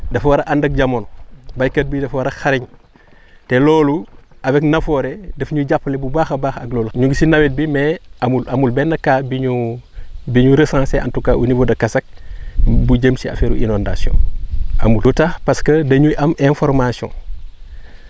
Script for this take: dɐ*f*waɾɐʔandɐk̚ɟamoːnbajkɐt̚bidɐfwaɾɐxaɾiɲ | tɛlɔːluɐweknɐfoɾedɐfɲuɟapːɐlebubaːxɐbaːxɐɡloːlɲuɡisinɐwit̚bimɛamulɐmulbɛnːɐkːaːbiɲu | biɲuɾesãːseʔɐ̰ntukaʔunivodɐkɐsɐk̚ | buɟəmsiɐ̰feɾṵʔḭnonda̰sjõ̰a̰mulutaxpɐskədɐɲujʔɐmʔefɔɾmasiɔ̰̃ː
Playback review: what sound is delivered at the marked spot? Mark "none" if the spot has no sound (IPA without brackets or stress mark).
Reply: f